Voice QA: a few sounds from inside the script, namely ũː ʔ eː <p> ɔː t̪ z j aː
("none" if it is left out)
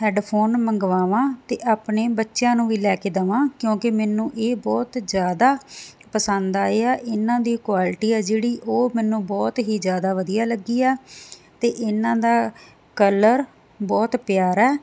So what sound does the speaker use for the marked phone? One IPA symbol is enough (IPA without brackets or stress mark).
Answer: b